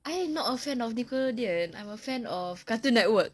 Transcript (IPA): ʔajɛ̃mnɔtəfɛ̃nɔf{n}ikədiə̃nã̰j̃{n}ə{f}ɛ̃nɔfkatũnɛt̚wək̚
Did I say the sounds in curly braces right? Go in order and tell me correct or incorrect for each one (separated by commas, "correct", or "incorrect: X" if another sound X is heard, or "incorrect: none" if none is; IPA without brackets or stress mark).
correct, incorrect: m, correct